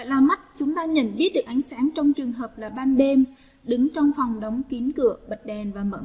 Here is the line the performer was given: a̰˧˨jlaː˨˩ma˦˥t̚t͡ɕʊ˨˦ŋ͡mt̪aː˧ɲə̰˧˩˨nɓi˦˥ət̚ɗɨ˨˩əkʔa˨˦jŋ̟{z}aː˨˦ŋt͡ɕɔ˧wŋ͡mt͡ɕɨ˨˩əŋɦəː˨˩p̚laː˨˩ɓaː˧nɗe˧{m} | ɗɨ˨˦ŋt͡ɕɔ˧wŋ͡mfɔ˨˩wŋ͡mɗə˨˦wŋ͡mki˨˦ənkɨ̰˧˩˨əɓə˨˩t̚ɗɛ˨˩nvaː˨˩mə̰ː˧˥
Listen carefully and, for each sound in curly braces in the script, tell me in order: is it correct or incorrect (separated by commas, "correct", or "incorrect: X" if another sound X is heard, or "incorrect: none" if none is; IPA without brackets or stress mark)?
incorrect: s, correct